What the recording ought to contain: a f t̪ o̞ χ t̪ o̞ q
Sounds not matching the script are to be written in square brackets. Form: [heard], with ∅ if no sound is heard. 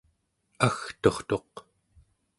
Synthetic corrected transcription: a [x] t̪ o̞ χ t̪ o̞ q